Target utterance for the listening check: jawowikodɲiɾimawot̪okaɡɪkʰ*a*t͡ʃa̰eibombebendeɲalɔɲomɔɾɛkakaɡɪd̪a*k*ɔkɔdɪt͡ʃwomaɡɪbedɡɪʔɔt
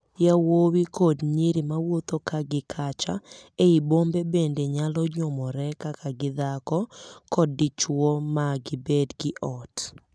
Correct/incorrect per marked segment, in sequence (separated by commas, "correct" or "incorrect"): correct, correct